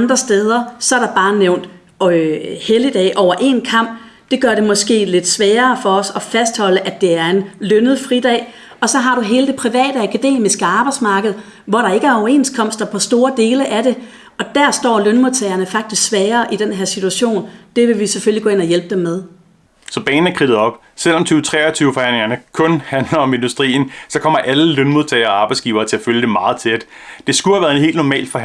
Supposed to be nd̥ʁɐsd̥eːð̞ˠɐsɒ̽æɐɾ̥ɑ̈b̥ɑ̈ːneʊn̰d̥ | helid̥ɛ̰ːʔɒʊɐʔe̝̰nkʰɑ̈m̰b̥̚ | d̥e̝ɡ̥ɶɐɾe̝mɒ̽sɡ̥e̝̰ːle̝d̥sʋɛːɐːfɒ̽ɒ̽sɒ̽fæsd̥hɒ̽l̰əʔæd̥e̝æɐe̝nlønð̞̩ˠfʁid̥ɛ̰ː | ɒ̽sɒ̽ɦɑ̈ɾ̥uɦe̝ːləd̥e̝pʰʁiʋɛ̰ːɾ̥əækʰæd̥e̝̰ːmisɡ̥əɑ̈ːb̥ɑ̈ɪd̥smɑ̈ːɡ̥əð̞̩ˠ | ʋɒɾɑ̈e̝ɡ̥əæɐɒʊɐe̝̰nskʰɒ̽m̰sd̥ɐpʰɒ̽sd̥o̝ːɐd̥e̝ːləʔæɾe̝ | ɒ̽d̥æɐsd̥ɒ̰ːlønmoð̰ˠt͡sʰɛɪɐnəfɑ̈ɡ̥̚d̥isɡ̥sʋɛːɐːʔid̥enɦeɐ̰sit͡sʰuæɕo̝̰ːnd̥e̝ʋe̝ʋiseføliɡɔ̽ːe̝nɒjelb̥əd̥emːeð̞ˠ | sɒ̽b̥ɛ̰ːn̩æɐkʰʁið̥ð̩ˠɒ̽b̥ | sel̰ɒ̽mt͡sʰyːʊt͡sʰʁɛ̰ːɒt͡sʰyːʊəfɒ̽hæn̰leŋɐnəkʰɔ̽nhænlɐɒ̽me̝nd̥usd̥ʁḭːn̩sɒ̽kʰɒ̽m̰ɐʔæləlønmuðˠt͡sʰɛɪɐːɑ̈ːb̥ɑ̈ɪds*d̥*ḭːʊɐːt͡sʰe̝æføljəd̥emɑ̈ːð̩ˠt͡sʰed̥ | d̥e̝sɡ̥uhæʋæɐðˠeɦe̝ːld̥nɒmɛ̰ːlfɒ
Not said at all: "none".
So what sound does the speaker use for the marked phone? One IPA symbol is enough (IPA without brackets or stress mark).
ɡ̥